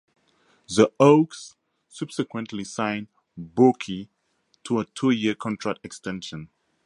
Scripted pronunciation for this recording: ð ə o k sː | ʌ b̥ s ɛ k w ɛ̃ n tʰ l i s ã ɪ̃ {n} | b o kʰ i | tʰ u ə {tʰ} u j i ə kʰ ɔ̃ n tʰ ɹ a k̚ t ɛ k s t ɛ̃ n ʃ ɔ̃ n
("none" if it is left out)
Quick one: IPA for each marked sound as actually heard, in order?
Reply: n, tʰ

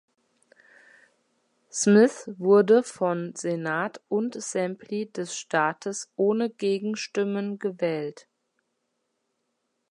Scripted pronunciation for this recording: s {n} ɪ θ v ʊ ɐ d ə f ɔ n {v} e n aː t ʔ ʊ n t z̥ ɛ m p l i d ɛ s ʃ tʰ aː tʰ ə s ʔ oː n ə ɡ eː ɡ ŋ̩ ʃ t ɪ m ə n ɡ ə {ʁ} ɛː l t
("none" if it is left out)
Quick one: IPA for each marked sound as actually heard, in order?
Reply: m, z, v

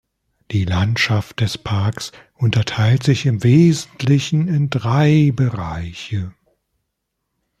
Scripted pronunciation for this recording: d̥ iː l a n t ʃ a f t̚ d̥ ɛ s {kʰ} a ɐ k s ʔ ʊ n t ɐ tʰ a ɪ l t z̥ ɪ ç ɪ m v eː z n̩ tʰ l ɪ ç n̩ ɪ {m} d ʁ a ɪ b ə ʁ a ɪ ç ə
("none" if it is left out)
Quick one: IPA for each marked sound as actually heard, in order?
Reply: pʰ, n

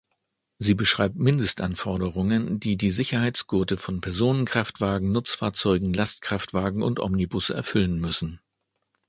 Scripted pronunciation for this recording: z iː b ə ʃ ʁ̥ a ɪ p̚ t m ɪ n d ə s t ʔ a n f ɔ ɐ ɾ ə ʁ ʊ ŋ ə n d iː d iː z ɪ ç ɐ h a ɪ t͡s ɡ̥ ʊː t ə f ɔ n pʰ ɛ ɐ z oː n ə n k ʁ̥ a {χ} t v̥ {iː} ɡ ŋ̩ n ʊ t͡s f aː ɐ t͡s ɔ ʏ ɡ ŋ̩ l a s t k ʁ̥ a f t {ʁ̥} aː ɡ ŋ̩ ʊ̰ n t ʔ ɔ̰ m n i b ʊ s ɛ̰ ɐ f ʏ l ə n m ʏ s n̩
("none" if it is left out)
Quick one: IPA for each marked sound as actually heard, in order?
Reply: f, aː, v̥

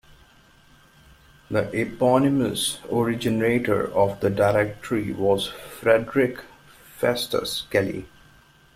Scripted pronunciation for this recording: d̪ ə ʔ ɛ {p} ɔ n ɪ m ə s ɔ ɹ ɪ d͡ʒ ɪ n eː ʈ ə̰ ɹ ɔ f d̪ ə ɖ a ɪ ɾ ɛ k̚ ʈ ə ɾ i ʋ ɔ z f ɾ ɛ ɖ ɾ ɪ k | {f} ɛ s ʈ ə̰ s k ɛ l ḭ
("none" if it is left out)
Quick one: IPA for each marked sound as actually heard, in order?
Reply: p, f

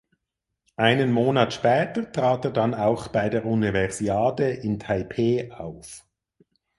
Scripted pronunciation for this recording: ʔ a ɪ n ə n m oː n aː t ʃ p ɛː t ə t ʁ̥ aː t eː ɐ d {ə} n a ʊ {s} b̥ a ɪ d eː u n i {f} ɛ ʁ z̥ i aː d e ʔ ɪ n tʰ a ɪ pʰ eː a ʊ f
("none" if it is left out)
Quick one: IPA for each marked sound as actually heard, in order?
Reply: a, x, v

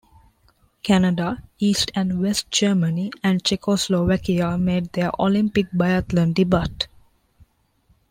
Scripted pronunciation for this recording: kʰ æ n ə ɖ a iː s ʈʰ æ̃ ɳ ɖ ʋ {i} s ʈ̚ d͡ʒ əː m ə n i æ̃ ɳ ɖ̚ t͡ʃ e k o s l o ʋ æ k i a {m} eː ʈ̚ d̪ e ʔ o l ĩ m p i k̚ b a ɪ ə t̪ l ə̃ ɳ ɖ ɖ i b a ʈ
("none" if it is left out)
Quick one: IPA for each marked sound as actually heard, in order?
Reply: e, m

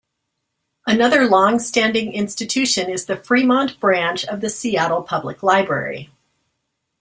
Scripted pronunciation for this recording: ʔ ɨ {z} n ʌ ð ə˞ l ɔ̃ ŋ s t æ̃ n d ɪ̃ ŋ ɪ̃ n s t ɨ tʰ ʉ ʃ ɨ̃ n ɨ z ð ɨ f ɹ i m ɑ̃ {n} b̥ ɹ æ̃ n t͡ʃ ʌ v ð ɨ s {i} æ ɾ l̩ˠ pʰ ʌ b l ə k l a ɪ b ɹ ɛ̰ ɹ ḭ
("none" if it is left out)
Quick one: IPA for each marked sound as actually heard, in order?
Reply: none, n, i

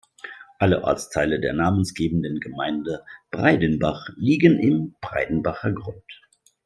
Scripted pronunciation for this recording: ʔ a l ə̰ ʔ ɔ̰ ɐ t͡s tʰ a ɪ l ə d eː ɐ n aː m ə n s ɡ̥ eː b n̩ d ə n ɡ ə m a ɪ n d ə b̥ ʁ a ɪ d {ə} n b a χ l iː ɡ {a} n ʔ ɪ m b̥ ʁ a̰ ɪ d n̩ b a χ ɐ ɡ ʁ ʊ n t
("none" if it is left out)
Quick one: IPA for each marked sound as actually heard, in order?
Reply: ə, ə

